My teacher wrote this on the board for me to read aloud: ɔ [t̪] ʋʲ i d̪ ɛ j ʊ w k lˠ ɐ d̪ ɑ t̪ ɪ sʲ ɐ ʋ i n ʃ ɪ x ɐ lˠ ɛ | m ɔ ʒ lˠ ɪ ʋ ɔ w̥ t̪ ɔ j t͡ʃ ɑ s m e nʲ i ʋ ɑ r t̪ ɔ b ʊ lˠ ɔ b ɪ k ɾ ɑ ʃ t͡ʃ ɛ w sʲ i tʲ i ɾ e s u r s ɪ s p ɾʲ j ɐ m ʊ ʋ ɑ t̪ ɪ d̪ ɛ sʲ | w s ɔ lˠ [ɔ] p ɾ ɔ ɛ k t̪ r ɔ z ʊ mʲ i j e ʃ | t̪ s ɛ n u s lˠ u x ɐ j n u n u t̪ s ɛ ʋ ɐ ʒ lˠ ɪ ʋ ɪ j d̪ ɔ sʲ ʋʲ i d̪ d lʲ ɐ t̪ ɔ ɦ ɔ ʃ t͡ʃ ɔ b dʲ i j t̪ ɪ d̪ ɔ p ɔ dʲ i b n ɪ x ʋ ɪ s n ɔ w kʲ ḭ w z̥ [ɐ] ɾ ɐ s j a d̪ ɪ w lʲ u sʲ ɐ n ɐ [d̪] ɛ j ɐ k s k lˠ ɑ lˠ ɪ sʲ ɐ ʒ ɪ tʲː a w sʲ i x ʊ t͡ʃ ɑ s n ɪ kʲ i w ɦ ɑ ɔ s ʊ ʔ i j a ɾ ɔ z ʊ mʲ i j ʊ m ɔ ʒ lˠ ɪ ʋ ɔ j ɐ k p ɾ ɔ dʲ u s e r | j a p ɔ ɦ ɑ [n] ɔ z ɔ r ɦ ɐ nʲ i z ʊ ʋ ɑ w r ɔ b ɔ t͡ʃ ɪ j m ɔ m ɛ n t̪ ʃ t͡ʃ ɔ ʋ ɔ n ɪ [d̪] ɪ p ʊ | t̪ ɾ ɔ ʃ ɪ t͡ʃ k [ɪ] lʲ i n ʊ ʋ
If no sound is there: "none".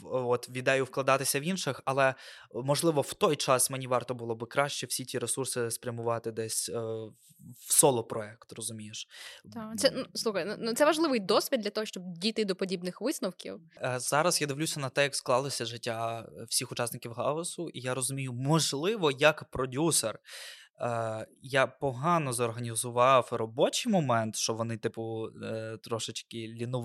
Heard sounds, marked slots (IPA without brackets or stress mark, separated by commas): t̪, ɔ, ɑ, t̪, n, t̪, ɪ